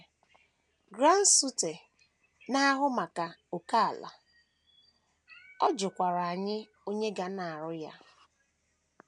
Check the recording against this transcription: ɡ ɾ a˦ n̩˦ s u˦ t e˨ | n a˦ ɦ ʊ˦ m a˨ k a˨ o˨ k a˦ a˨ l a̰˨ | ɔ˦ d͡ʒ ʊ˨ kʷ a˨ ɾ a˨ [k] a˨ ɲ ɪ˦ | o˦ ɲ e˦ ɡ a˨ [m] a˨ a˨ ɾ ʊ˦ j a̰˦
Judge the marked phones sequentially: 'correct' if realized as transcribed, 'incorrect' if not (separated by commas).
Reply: incorrect, incorrect